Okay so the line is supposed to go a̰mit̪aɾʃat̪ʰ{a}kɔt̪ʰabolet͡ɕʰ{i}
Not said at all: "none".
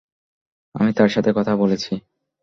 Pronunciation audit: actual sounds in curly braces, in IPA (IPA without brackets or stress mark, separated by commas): e, i